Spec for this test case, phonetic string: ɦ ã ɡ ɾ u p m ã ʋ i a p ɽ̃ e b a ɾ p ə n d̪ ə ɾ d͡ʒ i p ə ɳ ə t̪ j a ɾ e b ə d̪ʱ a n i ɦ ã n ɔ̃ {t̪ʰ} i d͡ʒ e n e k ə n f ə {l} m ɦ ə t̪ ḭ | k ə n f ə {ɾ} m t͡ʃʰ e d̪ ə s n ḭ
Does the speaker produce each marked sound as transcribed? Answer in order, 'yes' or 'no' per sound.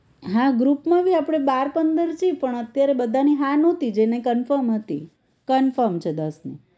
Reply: no, no, yes

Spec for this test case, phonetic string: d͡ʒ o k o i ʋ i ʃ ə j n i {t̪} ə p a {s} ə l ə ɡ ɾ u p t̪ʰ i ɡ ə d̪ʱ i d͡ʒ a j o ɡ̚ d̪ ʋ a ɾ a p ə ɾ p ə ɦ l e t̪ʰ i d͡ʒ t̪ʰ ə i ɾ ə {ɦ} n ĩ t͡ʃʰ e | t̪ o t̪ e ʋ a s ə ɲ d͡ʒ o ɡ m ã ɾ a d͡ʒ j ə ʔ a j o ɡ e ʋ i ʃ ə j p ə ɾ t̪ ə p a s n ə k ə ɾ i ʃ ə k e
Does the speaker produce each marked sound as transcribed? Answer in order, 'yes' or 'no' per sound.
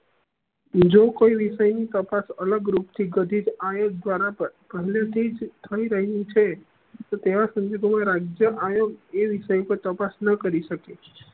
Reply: yes, yes, yes

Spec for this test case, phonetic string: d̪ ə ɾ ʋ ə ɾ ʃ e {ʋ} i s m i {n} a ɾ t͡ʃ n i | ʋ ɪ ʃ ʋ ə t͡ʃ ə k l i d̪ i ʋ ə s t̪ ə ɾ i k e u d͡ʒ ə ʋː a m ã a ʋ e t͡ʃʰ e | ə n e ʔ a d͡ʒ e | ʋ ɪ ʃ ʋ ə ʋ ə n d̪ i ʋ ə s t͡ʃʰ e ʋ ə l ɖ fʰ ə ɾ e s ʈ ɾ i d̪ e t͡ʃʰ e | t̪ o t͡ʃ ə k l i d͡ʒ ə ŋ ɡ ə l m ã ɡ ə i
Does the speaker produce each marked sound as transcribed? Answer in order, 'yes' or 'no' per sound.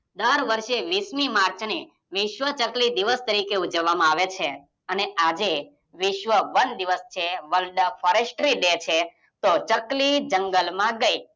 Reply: yes, no

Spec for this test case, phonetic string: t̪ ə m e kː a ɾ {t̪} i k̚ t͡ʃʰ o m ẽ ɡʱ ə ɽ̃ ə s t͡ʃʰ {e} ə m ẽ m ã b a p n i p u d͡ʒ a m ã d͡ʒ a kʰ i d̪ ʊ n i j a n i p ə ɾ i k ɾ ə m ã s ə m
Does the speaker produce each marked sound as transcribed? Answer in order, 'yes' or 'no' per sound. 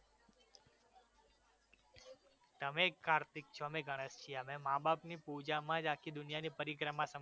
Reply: yes, no

